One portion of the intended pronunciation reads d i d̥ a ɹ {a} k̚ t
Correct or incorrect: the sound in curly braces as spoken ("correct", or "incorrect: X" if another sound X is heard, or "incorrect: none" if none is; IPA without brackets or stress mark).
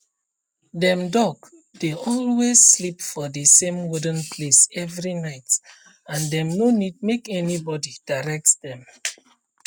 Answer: incorrect: ɛ